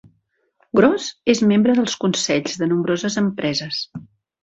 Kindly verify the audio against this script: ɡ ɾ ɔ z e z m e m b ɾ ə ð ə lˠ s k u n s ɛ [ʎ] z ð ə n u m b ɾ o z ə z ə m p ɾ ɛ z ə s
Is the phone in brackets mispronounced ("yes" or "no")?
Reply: no